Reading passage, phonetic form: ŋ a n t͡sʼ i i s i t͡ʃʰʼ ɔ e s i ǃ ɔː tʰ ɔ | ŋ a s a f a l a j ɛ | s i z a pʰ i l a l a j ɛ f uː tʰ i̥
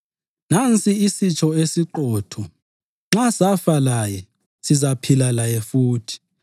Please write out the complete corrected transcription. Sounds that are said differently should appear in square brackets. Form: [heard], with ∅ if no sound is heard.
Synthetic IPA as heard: [n] a n t͡sʼ i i s i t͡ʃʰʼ ɔ e s i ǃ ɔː tʰ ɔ | [ŋ͡ǁ] a s a f a l a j ɛ | s i z a pʰ i l a l a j ɛ f uː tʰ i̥